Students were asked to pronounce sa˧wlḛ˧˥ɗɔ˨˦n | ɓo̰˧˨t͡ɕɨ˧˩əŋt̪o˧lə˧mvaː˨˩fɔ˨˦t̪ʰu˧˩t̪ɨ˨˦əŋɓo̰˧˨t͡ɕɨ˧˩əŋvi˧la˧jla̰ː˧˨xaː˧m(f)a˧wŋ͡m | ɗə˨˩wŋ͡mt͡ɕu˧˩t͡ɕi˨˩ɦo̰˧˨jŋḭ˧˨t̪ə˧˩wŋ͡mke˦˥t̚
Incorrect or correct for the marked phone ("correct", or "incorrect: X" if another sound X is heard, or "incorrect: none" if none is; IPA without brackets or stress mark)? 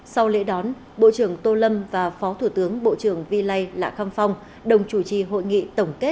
correct